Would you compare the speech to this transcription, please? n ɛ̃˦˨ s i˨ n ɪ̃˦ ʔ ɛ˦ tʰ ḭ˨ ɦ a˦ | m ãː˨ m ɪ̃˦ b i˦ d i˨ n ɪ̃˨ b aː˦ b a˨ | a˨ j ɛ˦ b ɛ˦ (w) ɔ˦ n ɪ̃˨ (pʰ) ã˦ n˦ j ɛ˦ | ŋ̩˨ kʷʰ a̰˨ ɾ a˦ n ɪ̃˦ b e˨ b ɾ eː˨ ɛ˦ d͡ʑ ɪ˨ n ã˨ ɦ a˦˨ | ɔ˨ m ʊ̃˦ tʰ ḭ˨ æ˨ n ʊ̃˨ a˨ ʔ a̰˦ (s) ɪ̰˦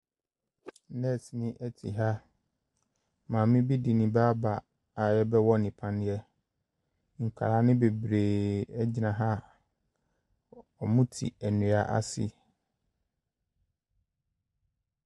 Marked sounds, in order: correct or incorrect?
correct, correct, correct

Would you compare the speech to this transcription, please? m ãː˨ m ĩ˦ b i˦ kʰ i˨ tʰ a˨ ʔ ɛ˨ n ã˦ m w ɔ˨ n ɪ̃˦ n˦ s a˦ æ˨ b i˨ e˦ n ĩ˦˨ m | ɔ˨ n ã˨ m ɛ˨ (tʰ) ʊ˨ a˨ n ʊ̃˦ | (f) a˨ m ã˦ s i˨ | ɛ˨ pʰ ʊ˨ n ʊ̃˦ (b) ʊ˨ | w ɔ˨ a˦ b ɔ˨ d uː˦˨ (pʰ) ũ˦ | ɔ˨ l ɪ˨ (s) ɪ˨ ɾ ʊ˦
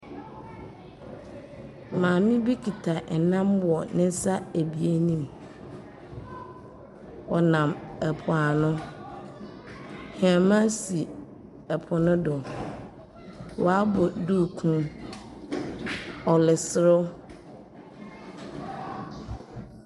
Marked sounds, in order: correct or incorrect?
incorrect, incorrect, incorrect, incorrect, correct

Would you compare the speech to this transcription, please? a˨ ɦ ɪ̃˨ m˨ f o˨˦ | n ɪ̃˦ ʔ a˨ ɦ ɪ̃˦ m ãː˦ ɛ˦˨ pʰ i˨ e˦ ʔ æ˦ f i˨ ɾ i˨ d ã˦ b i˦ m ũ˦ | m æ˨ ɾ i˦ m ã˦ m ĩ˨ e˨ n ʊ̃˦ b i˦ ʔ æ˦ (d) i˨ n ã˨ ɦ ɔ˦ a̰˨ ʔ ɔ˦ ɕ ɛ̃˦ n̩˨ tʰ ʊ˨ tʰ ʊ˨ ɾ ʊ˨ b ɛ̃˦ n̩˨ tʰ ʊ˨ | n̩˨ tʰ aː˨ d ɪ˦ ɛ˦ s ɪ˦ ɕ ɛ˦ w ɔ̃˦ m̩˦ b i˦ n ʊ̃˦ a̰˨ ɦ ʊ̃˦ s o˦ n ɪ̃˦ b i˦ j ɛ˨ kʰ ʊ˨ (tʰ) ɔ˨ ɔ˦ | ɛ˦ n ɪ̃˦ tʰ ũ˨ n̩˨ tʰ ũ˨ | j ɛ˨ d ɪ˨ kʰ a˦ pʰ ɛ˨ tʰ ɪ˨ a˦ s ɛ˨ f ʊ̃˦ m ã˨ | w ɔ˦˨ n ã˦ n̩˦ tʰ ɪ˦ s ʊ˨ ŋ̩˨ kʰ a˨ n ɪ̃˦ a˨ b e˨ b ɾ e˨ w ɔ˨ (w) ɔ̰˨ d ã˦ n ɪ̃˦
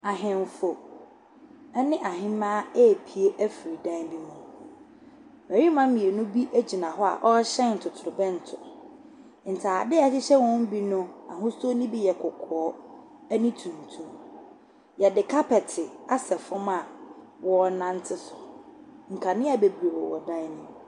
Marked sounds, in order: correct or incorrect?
incorrect, incorrect, correct

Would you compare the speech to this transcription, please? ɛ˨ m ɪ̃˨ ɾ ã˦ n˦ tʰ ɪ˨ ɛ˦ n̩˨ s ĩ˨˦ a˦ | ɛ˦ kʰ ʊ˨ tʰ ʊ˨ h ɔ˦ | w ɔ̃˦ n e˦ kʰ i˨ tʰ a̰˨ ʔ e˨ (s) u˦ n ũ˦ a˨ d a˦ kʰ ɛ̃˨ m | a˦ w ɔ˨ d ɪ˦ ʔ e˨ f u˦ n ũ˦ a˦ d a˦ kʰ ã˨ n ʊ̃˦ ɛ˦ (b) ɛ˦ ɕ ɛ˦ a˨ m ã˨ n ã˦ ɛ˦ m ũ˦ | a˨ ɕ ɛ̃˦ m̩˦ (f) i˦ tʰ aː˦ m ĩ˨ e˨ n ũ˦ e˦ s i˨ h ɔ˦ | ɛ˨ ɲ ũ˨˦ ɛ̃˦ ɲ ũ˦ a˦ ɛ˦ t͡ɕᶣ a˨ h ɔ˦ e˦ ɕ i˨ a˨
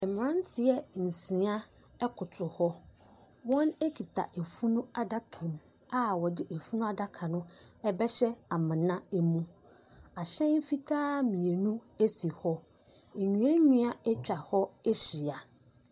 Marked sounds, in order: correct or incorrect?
incorrect, correct, correct

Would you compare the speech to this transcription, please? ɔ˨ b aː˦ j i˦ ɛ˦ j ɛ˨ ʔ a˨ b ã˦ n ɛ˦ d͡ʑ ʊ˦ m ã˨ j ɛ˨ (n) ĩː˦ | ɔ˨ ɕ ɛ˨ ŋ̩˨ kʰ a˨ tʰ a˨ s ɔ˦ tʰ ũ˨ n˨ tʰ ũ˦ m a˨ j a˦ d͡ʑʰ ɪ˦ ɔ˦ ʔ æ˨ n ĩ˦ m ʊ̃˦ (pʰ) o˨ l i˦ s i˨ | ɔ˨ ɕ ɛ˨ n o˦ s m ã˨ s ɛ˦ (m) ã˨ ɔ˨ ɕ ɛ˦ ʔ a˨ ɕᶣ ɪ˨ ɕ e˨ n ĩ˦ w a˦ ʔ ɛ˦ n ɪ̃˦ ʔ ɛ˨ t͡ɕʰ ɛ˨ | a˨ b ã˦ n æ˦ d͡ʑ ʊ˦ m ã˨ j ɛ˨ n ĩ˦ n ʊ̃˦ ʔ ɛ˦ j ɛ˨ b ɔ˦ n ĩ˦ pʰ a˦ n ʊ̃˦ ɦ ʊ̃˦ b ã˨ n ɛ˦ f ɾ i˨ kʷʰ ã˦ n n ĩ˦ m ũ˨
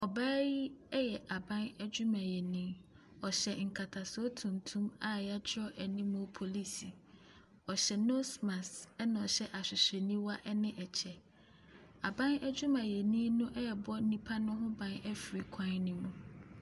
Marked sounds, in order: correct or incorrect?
correct, correct, incorrect

